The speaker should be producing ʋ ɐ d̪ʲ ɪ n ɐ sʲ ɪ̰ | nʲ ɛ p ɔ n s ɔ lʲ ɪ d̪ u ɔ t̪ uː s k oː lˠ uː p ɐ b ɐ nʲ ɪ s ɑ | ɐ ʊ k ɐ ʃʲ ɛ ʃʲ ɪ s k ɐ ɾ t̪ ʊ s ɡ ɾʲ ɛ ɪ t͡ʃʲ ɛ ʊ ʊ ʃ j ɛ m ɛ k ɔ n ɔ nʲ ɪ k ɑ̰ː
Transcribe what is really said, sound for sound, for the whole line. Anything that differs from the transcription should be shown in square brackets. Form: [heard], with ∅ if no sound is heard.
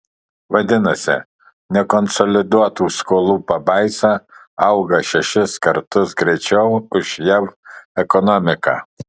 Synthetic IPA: ʋ ɐ d̪ʲ ɪ n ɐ sʲ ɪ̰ | nʲ ɛ [k] ɔ n s ɔ lʲ ɪ d̪ u ɔ t̪ uː s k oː lˠ uː p ɐ b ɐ [∅] ɪ s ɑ | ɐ ʊ [ɡ] ɐ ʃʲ ɛ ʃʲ ɪ s k ɐ ɾ t̪ ʊ s ɡ ɾʲ ɛ ɪ t͡ʃʲ ɛ ʊ ʊ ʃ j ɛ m ɛ k ɔ n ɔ [mʲ] ɪ k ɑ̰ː